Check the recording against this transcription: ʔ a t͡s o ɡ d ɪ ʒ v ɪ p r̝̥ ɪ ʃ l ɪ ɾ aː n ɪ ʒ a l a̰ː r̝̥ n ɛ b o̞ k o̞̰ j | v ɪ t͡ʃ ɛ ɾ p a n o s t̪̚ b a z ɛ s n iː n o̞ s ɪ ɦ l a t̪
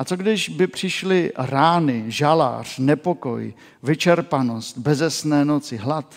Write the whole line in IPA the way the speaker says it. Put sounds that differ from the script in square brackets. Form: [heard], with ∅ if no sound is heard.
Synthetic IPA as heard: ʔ a t͡s o ɡ d ɪ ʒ [b] ɪ p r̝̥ ɪ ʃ l ɪ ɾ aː n ɪ ʒ a l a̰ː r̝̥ n ɛ [p] o̞ k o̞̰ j | v ɪ t͡ʃ ɛ ɾ p a n o s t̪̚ b [ɛ] z ɛ s n [ɛː] n o̞ [t͡s] ɪ ɦ l a t̪